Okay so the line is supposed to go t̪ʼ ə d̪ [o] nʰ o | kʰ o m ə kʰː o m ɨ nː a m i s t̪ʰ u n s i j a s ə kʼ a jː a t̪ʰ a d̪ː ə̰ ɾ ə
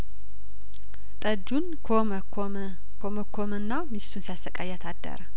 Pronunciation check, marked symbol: incorrect: u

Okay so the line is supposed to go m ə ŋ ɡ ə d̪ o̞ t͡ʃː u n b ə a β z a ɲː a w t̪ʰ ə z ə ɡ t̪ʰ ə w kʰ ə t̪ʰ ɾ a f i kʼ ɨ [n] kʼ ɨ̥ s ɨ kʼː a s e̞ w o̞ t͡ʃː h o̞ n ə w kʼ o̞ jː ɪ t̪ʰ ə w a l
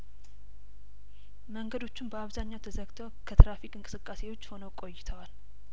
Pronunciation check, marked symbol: incorrect: ŋ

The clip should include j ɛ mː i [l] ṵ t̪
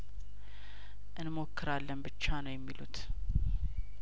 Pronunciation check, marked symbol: correct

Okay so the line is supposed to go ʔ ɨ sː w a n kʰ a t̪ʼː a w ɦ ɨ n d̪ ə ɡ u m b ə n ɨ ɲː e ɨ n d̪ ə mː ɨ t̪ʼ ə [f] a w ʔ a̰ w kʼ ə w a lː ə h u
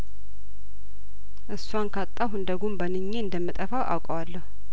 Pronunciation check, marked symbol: correct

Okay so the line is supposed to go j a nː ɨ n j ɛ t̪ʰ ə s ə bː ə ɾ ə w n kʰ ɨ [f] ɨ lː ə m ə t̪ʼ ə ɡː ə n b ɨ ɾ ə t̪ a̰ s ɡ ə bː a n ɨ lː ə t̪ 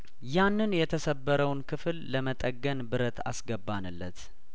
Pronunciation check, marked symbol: correct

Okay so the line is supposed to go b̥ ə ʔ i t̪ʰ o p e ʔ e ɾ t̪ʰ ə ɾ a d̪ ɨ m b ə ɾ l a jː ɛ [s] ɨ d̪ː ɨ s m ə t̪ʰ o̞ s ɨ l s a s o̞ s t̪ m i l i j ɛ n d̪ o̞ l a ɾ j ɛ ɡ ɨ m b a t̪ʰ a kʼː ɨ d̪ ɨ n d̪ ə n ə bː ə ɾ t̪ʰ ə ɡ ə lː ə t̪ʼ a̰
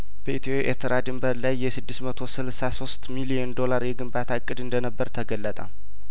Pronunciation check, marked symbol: correct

